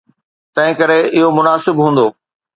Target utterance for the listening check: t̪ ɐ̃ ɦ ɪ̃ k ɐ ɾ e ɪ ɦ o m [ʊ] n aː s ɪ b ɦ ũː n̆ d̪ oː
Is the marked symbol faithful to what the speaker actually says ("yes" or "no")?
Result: yes